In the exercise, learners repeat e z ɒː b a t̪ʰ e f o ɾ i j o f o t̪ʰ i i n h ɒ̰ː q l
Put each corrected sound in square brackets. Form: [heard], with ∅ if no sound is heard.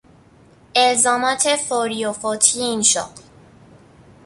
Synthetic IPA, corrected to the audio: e z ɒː [m] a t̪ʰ e f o ɾ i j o f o t̪ʰ i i n [ʃ] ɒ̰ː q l

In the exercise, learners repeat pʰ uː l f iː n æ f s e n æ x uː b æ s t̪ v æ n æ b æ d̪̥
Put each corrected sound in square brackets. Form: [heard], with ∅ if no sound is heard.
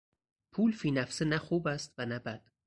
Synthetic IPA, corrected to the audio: pʰ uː l f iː n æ f s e n æ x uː b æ s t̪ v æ n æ b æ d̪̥

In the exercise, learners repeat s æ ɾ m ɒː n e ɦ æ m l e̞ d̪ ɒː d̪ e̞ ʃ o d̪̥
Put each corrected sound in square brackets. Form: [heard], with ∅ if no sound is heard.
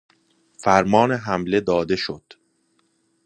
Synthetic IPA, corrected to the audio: [f] æ ɾ m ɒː n e ɦ æ m l e̞ d̪ ɒː d̪ e̞ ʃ o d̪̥

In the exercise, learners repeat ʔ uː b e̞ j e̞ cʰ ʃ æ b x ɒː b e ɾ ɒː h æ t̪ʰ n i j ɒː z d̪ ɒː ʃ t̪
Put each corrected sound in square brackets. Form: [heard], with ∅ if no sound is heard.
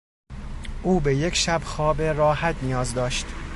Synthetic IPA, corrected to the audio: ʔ uː b e̞ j e̞ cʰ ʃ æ b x ɒː b e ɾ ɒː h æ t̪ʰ n i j ɒː z d̪ ɒː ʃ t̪

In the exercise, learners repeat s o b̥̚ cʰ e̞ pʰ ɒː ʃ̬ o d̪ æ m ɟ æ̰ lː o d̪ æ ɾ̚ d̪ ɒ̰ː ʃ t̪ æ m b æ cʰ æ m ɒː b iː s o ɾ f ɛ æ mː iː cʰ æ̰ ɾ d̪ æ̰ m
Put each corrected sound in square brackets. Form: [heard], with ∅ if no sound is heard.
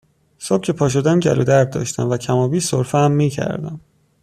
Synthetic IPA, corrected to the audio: s o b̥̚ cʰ e̞ pʰ ɒː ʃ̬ o d̪ æ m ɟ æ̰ [l] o d̪ æ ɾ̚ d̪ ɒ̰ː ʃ t̪ æ m [v] æ cʰ æ m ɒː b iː s o ɾ f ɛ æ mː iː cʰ æ̰ ɾ d̪ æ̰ m

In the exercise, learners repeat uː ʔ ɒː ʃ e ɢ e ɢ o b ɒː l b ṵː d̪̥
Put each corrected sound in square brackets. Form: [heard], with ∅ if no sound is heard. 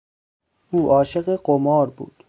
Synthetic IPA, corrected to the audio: uː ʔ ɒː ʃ e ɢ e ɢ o [m] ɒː [ɾ] b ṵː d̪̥

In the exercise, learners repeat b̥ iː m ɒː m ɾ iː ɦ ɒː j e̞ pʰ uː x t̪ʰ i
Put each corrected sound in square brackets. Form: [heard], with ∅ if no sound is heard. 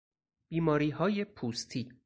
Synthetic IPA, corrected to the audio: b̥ iː m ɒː [∅] ɾ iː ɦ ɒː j e̞ pʰ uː [s] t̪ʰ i

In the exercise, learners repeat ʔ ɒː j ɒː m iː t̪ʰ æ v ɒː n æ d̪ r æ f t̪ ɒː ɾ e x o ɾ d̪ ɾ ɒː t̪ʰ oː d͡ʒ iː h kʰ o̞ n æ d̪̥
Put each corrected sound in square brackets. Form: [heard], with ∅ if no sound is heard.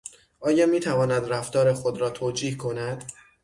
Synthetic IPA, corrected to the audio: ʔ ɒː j ɒː m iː t̪ʰ æ v ɒː n æ d̪ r æ f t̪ ɒː ɾ e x o [∅] d̪ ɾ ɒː t̪ʰ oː d͡ʒ iː h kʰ o̞ n æ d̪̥

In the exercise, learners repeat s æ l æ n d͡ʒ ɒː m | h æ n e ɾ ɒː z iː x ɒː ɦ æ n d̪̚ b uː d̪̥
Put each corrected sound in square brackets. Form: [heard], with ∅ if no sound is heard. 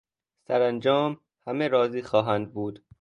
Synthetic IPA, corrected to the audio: s æ [ɾ] æ n d͡ʒ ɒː m | h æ [m] e ɾ ɒː z iː x ɒː ɦ æ n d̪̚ b uː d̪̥

